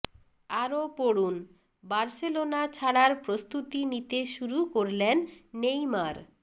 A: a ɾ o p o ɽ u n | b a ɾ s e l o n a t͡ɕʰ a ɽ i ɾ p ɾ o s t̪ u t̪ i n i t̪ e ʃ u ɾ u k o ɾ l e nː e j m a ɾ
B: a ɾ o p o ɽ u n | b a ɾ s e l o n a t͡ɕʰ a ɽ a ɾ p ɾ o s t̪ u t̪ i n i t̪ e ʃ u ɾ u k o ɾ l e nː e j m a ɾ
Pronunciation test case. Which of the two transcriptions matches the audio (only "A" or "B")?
B